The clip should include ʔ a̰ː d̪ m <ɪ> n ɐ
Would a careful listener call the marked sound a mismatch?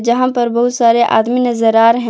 yes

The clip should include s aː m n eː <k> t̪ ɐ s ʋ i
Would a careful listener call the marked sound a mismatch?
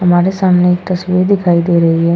no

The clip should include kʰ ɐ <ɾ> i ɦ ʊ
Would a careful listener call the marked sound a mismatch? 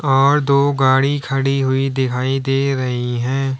yes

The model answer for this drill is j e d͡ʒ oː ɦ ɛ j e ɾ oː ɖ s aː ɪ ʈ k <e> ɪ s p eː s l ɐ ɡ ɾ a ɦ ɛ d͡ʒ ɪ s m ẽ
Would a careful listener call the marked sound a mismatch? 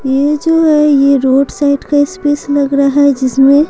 yes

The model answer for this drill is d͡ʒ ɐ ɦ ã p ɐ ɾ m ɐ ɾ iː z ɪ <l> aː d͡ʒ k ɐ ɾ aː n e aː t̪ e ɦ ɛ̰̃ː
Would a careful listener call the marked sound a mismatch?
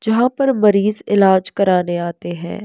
no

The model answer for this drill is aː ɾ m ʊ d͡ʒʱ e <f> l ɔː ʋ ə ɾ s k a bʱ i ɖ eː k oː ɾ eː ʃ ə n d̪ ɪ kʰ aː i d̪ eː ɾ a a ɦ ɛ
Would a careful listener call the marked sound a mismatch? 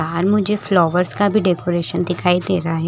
no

